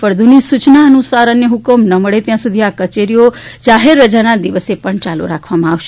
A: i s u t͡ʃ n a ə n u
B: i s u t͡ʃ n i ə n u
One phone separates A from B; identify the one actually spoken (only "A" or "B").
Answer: A